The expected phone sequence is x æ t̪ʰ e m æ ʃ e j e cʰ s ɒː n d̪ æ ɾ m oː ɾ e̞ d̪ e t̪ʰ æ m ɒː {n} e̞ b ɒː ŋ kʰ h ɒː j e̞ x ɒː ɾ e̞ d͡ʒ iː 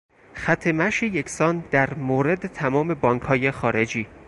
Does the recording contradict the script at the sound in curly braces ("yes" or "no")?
yes